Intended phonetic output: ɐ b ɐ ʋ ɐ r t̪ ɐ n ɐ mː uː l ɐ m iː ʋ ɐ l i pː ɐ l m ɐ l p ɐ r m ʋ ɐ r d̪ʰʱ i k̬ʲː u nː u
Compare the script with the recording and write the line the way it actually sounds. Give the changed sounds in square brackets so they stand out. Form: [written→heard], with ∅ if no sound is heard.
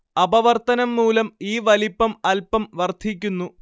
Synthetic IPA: ɐ b ɐ ʋ ɐ r t̪ ɐ n ɐ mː uː l ɐ m iː ʋ ɐ l i pː ɐ [l→∅] m ɐ l p ɐ [r→∅] m ʋ ɐ r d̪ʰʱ i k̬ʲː u nː u